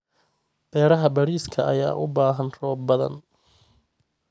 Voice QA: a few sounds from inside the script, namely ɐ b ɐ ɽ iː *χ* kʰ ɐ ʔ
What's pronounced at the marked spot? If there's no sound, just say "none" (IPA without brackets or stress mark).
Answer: s